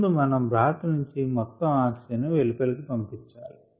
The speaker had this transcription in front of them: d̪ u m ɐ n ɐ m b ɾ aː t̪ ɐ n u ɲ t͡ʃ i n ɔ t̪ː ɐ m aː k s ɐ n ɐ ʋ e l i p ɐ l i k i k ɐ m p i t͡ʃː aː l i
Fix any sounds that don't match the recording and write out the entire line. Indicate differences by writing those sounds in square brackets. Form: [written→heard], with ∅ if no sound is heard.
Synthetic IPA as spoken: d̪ u m ɐ n ɐ m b ɾ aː t̪ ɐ n u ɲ t͡ʃ i [n→m] ɔ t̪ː ɐ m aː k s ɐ n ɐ ʋ e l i p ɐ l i k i [k→p] ɐ m p i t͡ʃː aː l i

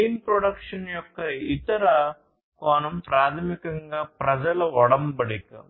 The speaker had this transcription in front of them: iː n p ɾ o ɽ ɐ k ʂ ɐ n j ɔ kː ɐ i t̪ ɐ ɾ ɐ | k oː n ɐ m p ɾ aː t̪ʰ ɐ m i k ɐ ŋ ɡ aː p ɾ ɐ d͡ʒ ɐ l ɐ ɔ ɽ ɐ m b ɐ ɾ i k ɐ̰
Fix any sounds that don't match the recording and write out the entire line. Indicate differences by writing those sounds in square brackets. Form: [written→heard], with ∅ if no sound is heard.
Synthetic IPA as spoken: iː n p ɾ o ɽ ɐ k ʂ ɐ n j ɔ kː ɐ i t̪ ɐ ɾ ɐ | k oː n ɐ m p ɾ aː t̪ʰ ɐ m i k ɐ ŋ ɡ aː p ɾ ɐ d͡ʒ ɐ l ɐ ɔ ɽ ɐ m b ɐ [ɾ→ɽ] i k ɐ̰

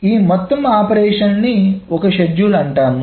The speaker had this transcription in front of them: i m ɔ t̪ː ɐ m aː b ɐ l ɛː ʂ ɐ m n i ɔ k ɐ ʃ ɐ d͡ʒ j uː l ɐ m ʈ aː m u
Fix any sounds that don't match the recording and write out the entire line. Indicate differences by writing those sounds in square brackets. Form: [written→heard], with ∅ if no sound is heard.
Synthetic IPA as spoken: [i→iː] m ɔ t̪ː ɐ m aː [b→p] ɐ [l→ɾ] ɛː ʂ ɐ [m→n] n i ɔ k ɐ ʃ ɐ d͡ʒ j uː l ɐ [m→ɳ] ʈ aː [m→n] u

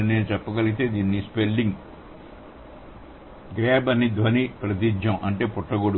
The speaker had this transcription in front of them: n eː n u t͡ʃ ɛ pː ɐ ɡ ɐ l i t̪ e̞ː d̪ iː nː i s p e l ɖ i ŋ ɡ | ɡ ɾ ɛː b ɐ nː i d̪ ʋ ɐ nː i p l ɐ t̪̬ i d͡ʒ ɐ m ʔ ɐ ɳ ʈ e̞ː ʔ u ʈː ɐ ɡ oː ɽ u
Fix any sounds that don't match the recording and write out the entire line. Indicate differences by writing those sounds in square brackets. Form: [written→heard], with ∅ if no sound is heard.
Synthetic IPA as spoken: n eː n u t͡ʃ ɛ pː ɐ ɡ ɐ l i t̪ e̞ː d̪ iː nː i s p e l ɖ i ŋ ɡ | ɡ ɾ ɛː b ɐ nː i d̪ ʋ ɐ [nː→n] i p [l→ɾ] ɐ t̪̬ i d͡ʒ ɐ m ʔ ɐ ɳ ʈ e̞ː [ʔ→p] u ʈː ɐ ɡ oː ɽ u

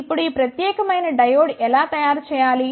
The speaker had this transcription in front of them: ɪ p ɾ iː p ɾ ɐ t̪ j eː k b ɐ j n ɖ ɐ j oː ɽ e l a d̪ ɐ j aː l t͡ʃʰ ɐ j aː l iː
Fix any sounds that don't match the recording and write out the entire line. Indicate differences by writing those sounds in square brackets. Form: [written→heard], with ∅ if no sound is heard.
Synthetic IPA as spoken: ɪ p [ɾ→ɽ] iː p ɾ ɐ t̪ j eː k [b→m] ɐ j n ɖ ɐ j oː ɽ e l a [d̪→t̪] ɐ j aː [l→ɾ] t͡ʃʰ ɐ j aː l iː

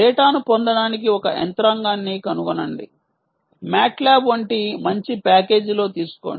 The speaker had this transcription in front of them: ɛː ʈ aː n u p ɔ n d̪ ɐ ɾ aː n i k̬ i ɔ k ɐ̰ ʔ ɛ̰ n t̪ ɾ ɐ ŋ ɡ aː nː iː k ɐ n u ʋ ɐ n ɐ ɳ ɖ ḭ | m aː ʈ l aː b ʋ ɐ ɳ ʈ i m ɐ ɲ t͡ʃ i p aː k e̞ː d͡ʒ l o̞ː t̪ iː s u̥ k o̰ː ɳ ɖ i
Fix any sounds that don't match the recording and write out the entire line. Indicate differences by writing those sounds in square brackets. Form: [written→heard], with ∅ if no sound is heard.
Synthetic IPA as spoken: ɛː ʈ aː n u p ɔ n d̪ ɐ [ɾ→ɽ] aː n i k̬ i ɔ k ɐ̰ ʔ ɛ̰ n t̪ ɾ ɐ ŋ ɡ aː nː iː k ɐ n u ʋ ɐ n ɐ ɳ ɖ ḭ | m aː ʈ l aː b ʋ ɐ ɳ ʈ i m ɐ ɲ t͡ʃ i p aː k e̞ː d͡ʒ l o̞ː t̪ iː s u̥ k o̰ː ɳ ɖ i

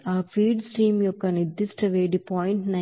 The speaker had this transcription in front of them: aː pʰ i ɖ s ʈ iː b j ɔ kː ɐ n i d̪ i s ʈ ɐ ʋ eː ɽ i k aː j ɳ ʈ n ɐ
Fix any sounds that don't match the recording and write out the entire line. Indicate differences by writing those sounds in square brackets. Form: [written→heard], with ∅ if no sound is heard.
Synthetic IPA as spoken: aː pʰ [i→iː] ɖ s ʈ iː [b→m] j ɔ kː ɐ n i d̪ i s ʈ ɐ ʋ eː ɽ i [k→p] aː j ɳ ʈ n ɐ

